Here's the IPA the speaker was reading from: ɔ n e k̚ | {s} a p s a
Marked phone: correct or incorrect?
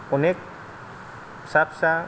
correct